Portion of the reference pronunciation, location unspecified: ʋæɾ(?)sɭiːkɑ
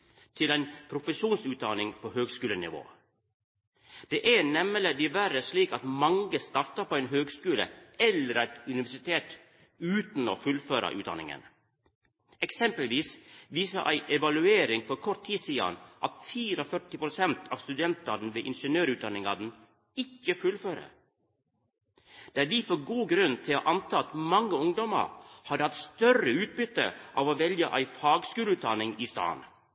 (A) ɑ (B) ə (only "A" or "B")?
B